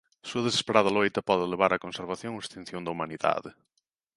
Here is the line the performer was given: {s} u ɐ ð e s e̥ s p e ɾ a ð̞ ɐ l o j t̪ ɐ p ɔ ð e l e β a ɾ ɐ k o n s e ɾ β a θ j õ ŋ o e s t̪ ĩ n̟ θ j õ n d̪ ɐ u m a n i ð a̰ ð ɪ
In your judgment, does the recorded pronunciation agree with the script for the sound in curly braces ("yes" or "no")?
yes